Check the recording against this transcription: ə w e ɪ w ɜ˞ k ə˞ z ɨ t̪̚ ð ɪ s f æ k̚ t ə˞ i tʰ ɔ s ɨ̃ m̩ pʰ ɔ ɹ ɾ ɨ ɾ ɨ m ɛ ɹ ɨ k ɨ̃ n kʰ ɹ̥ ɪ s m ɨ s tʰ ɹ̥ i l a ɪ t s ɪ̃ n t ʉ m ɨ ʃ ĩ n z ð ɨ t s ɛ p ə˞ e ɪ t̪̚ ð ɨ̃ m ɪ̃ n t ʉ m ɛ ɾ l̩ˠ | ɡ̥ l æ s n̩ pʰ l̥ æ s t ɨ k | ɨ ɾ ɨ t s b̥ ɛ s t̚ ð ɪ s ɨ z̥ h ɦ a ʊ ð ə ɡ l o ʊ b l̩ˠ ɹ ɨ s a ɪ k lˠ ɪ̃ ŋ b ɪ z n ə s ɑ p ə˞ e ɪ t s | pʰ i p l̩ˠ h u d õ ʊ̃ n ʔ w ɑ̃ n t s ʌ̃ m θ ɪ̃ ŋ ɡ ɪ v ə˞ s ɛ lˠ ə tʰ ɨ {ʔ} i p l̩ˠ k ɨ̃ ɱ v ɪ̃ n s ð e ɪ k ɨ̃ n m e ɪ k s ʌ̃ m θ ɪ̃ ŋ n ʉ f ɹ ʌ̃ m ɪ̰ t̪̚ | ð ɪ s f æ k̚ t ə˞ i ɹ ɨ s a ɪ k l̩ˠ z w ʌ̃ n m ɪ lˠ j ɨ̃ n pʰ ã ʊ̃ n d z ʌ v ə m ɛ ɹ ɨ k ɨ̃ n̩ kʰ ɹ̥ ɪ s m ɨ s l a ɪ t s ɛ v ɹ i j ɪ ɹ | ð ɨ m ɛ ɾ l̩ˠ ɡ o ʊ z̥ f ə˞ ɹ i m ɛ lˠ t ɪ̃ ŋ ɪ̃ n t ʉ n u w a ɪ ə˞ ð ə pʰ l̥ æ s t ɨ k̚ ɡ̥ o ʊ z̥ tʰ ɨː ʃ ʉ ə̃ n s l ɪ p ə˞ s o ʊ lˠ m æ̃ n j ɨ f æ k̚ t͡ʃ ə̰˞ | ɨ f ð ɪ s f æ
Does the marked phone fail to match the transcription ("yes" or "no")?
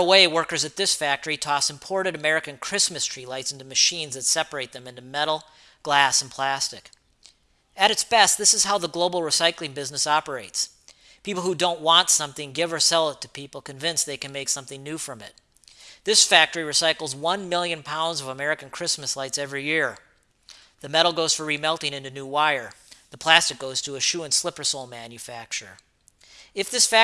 yes